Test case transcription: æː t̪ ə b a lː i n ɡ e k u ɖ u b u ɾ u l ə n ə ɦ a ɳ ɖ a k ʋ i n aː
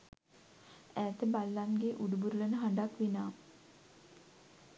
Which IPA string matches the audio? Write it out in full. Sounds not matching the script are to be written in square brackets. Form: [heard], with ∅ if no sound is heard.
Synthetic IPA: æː t̪ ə b a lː [a] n ɡ e [ʔ] u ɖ u b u ɾ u l ə n ə ɦ a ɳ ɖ a k ʋ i n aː

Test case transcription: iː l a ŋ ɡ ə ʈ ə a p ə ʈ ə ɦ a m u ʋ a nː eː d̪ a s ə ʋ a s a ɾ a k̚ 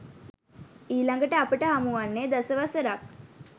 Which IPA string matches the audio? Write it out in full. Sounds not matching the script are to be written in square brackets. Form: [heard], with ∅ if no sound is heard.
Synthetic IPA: iː l a ŋ ɡ ə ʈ ə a p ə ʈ ə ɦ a m u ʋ a nː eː d̪ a s ə ʋ a s [ə] ɾ a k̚

